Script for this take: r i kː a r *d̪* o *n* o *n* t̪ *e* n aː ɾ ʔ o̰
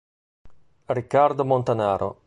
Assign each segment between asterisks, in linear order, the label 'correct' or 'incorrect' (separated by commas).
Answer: correct, incorrect, correct, incorrect